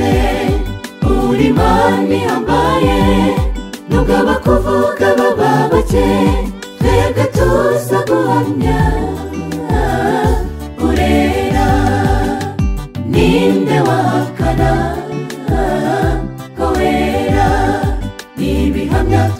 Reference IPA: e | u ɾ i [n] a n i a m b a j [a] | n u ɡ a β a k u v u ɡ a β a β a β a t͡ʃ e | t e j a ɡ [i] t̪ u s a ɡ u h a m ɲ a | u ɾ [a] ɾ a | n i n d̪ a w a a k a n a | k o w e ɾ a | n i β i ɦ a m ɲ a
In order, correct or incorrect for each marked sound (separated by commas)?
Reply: incorrect, incorrect, incorrect, incorrect